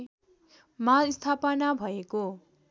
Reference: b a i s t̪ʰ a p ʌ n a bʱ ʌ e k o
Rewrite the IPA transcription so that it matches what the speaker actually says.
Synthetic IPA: m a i s t̪ʰ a p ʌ n a bʱ ʌ e k o